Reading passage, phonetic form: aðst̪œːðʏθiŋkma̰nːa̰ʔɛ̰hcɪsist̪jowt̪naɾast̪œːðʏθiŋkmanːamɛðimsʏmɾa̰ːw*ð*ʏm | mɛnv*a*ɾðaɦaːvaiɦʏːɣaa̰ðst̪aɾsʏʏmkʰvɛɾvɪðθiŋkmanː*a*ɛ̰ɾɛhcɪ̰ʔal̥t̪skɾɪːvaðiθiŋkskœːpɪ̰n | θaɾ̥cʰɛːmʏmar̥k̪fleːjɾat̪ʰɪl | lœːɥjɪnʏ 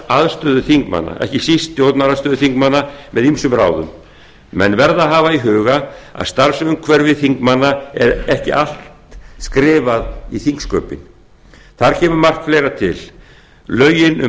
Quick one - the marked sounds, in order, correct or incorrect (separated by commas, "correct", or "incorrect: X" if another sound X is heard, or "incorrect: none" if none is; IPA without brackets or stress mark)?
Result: correct, incorrect: ɛ, correct